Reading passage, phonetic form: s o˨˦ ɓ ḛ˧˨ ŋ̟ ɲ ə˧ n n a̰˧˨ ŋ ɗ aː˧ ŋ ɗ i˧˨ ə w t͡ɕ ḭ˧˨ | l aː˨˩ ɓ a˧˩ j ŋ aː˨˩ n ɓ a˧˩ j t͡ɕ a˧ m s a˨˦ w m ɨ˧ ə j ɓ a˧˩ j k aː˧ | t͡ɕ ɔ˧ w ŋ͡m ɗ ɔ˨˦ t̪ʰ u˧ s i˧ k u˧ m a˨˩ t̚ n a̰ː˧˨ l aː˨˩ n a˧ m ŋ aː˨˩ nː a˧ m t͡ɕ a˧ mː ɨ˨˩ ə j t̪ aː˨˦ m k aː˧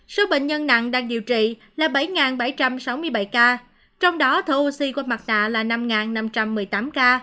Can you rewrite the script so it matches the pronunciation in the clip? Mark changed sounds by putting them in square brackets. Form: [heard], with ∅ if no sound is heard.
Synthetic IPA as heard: s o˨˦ ɓ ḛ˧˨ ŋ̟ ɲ ə˧ n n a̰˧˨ ŋ ɗ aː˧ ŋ ɗ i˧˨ ə w t͡ɕ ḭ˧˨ | l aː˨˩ ɓ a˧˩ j ŋ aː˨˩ n ɓ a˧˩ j t͡ɕ a˧ m s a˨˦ w m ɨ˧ ə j ɓ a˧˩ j k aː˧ | t͡ɕ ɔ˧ w ŋ͡m ɗ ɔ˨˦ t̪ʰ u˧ s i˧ k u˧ m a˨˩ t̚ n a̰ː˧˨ l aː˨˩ n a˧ m ŋ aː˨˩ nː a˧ m t͡ɕ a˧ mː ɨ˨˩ ə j t̪ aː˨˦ m k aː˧